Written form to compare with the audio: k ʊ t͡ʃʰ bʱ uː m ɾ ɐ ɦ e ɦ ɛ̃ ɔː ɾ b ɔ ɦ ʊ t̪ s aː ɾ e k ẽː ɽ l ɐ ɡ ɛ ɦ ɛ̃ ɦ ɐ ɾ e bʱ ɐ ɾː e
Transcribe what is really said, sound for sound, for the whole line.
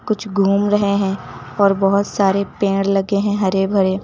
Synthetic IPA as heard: k ʊ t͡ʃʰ ɡʱ uː m ɾ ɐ ɦ e ɦ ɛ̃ ɔː ɾ b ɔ ɦ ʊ t̪ s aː ɾ e p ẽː ɽ l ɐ ɡ e ɦ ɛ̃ ɦ ɐ ɾ e bʱ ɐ ɾ e